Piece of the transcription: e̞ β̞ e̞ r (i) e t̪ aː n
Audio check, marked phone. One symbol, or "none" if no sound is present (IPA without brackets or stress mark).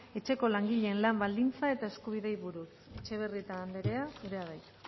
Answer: i